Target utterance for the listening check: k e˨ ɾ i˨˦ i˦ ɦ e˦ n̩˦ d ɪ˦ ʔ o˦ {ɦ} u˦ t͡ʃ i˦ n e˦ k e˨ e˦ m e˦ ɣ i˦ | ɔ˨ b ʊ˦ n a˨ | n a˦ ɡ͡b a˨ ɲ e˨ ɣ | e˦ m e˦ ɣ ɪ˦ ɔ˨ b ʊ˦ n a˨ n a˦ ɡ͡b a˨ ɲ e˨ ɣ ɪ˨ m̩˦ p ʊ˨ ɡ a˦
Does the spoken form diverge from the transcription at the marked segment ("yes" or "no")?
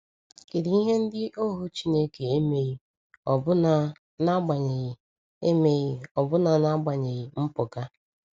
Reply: no